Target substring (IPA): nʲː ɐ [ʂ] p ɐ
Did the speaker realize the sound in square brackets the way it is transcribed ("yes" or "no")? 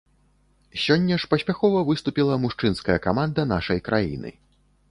yes